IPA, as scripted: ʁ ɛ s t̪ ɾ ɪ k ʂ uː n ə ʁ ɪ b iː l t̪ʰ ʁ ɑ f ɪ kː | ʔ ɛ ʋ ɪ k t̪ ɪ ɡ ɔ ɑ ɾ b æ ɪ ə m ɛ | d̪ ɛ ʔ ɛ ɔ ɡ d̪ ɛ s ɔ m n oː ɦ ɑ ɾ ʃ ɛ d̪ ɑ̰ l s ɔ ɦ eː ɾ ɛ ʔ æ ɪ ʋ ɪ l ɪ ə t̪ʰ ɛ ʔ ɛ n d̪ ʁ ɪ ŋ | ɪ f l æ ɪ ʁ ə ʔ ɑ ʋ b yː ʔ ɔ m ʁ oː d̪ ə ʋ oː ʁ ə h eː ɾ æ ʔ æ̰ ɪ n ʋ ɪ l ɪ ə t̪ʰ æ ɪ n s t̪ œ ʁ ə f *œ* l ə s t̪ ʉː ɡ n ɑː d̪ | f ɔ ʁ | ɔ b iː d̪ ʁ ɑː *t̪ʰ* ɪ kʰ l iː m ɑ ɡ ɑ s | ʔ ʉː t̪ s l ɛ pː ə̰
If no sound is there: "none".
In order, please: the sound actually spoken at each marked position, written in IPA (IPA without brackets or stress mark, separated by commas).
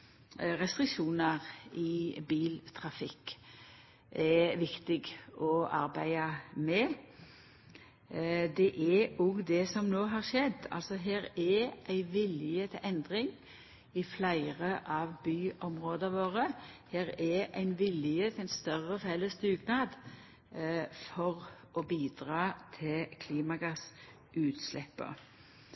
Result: ɛ, t̪ʰ